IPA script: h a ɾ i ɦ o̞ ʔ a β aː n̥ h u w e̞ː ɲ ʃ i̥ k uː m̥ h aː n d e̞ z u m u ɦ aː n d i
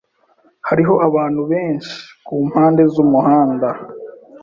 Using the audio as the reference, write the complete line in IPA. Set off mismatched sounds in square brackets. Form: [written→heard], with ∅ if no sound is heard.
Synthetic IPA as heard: h a ɾ i ɦ o̞ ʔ a β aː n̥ h u [w→β] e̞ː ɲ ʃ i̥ k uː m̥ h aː n d e̞ z u m u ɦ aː n d [i→a]